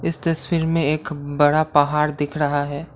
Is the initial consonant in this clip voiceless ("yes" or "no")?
yes